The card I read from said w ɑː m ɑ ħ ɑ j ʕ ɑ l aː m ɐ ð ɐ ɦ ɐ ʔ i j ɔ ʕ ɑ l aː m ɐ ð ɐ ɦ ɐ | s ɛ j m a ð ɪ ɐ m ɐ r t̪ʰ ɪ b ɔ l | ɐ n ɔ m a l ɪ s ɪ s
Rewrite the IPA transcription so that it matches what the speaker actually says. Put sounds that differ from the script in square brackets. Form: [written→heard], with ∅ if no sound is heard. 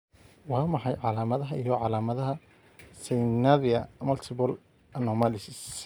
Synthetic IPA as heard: w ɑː m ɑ ħ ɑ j ʕ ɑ l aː m ɐ ð ɐ ɦ ɐ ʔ i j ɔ ʕ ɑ l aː m ɐ ð ɐ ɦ ɐ | s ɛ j [m→n] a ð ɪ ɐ m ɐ [r→l] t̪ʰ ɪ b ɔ l | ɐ n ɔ m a l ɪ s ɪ s